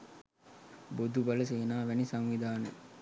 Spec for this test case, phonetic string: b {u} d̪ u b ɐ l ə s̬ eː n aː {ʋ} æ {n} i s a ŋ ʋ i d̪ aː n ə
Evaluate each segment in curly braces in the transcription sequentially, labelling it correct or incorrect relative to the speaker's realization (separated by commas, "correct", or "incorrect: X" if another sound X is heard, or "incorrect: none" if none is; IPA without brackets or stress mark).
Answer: incorrect: o, correct, correct